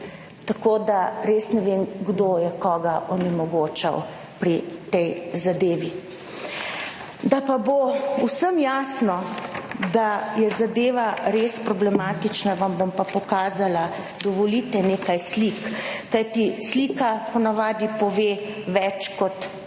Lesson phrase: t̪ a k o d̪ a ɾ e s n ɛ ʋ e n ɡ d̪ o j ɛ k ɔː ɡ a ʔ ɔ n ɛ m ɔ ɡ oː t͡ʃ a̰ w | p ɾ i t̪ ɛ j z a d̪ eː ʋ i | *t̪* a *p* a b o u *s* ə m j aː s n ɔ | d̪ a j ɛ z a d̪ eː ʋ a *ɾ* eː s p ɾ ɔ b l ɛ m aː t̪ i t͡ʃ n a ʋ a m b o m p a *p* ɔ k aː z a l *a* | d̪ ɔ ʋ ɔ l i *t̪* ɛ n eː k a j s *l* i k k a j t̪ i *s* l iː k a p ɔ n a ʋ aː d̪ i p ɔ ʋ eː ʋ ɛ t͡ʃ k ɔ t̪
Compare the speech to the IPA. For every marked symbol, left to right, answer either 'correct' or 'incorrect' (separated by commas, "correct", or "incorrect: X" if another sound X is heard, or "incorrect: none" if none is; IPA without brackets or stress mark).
incorrect: d̪, correct, correct, correct, correct, correct, correct, correct, correct